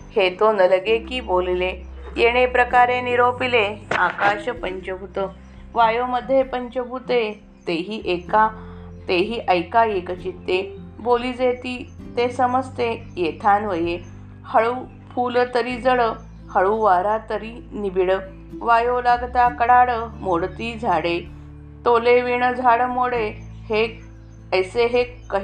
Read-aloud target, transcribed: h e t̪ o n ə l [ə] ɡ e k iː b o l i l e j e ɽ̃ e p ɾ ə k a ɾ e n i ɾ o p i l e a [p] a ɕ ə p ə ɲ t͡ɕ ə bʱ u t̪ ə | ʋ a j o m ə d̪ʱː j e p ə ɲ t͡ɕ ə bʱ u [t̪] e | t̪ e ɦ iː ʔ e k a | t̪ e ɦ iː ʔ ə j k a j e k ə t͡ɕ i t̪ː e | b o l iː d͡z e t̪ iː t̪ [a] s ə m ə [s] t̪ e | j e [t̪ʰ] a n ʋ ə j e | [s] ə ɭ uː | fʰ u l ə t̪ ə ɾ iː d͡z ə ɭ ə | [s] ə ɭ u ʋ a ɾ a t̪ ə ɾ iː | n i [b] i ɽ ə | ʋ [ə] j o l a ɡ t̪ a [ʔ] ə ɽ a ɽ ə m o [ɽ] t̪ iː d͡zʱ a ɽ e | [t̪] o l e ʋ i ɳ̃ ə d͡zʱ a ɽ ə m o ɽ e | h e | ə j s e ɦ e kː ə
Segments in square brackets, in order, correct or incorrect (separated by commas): correct, incorrect, correct, incorrect, correct, correct, incorrect, incorrect, correct, incorrect, incorrect, correct, correct